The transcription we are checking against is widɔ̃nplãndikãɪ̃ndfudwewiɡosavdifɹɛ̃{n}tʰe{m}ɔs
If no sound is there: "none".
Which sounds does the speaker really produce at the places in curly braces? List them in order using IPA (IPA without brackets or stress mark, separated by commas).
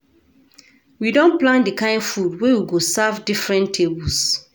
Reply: n, b